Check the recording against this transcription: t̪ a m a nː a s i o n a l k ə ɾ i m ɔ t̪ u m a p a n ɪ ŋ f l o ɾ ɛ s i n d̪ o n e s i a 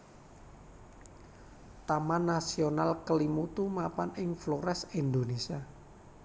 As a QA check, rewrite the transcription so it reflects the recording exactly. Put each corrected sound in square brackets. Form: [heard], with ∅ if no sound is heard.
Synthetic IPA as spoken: t̪ a m a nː a s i o n a l k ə [l] i m [u] t̪ u m a p a n ɪ ŋ f l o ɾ ɛ s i n d̪ o n e s i a